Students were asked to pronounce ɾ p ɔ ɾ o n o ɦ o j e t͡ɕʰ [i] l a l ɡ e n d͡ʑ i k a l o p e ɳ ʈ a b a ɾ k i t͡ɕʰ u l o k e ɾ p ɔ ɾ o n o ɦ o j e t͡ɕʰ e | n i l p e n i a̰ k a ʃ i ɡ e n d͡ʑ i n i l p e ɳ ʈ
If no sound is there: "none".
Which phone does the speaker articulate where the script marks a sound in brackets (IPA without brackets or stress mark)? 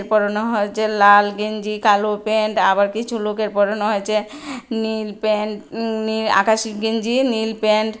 e